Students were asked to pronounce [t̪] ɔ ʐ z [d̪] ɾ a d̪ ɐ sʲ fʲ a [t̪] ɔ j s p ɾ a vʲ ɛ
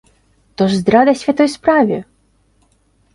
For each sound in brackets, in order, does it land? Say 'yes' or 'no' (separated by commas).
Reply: yes, yes, yes